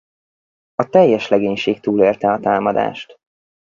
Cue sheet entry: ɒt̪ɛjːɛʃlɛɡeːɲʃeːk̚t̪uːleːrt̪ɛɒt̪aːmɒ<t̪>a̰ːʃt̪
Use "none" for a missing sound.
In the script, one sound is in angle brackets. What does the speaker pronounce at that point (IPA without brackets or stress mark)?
d̪